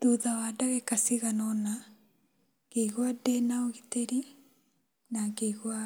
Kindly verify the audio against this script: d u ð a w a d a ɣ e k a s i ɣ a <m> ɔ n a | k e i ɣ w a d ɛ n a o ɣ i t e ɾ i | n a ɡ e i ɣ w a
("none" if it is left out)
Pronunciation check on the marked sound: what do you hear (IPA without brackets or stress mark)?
n